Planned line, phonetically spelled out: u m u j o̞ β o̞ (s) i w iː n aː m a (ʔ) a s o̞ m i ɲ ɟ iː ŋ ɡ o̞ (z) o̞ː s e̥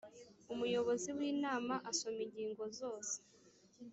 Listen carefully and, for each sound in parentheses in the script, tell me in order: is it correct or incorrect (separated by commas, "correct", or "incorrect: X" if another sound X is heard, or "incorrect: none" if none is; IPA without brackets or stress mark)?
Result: incorrect: z, correct, correct